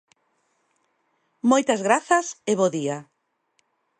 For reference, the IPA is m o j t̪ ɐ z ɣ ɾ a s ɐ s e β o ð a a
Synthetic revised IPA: m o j t̪ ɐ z ɣ ɾ a θ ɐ s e β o ð i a